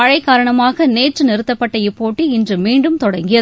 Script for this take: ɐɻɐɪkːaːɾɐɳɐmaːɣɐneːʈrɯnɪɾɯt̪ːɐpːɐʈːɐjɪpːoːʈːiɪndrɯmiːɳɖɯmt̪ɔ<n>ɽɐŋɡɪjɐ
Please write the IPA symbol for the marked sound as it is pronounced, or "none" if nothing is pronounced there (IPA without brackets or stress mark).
none